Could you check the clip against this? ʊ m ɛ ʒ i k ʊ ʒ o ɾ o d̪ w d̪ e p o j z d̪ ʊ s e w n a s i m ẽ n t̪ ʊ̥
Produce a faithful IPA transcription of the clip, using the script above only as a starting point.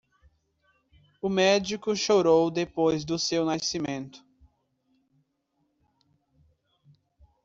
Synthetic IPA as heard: ʊ m ɛ d͡ʒ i k ʊ ʃ o ɾ o w d̪ e p o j z d̪ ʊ s e w n a s i m ẽ n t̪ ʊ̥